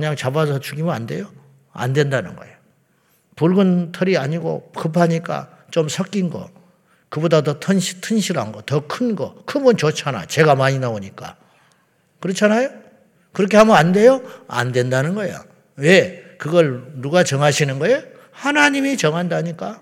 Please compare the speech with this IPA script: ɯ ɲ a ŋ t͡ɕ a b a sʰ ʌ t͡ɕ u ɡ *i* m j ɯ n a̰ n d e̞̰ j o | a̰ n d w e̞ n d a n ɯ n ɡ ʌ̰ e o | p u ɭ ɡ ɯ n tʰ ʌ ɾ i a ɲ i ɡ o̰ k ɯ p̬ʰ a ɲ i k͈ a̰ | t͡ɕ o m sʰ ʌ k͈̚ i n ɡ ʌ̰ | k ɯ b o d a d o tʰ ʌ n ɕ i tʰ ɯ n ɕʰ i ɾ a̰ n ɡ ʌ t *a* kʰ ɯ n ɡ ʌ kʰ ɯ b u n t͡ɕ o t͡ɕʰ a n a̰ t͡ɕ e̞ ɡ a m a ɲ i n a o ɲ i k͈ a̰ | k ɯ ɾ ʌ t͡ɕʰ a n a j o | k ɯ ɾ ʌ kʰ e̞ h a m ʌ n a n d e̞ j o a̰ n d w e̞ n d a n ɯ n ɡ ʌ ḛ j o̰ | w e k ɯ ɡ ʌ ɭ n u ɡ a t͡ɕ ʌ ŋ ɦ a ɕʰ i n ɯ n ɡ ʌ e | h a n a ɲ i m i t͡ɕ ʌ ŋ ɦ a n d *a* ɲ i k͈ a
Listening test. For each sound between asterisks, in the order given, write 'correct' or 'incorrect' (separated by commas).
correct, incorrect, correct